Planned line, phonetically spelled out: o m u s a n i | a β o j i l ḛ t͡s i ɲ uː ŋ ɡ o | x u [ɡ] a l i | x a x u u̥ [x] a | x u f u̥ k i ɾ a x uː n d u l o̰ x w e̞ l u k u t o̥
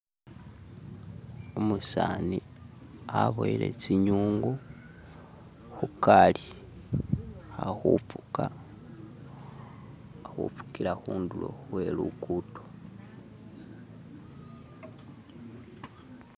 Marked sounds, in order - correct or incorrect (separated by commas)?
incorrect, incorrect